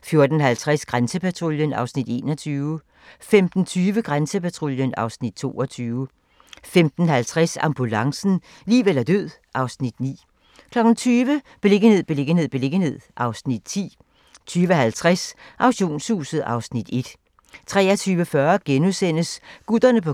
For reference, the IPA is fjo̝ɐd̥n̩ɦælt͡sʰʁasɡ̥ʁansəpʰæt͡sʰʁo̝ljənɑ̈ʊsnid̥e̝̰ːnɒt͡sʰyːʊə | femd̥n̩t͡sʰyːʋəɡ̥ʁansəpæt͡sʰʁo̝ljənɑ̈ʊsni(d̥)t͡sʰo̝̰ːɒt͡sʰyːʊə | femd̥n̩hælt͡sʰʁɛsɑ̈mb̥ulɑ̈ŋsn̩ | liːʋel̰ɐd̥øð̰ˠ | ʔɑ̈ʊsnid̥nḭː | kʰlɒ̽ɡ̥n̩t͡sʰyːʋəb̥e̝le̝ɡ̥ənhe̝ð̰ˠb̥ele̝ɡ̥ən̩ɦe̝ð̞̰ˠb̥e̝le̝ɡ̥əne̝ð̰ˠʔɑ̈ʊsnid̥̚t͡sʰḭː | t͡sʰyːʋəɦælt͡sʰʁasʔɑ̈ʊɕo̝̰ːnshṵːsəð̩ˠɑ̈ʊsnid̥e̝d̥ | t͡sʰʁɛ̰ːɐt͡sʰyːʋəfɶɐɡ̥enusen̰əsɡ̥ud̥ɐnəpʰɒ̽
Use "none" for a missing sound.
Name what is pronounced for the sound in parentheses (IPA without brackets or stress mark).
d̥